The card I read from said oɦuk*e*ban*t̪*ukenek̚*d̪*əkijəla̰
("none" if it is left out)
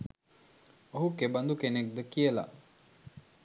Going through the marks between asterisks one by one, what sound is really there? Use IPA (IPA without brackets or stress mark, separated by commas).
e, d̪, d̪